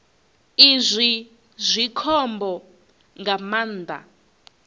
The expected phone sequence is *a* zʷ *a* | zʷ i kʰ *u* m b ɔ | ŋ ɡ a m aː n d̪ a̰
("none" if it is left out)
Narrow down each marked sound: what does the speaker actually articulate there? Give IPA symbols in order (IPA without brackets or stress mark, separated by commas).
i, i, ɔ